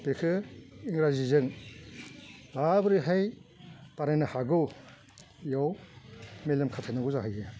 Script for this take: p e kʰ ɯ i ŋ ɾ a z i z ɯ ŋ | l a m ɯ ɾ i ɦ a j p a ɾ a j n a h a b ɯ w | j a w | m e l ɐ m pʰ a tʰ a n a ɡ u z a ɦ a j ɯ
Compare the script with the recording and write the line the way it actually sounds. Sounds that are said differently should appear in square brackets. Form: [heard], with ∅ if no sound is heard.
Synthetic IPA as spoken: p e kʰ ɯ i ŋ ɾ a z i z ɯ ŋ | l a [b] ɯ ɾ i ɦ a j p a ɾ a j n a h a [ɡ] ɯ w | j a w | m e l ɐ m [kʰ] a tʰ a n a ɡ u z a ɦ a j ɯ